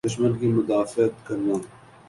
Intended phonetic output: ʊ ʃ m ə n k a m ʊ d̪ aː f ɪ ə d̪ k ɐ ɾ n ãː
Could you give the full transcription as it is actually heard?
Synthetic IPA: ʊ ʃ m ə n k i m ʊ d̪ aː f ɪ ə t̪ k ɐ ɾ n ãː